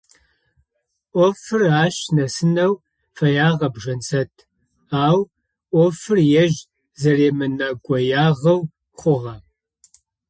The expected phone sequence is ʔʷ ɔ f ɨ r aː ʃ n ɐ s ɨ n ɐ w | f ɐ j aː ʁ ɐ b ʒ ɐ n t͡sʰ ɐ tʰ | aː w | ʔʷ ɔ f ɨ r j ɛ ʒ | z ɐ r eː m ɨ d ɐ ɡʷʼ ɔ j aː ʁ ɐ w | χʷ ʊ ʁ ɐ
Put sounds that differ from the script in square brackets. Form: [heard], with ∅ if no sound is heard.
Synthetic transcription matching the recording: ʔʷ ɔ f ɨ r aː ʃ n ɐ s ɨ n ɐ w | f ɐ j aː ʁ ɐ b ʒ ɐ n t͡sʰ ɐ tʰ | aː w | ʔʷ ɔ f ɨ r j ɛ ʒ | z ɐ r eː m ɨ [n] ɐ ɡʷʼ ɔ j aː ʁ ɐ w | χʷ ʊ ʁ ɐ